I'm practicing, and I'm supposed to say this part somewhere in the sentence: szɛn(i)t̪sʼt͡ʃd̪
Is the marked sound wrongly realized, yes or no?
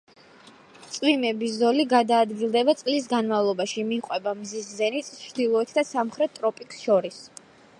no